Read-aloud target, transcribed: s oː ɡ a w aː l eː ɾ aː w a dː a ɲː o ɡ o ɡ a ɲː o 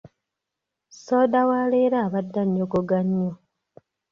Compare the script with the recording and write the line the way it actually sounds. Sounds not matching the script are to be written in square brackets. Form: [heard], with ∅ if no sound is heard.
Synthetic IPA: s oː [d] a w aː l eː ɾ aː [β] a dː a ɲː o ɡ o ɡ a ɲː o